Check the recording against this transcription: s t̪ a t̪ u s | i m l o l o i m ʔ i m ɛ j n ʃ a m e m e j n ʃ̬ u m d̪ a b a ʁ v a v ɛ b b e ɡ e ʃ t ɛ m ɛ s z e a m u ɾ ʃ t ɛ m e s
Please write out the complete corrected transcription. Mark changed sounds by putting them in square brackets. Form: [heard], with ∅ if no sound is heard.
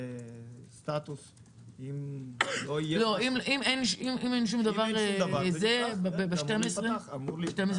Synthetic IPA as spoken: s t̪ a t̪ u s | i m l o l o i m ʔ i m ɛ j n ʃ [i] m [i] m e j n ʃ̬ u m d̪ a [v] a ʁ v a [z] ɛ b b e [b] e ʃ t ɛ m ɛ s [ʁ] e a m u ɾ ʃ t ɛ m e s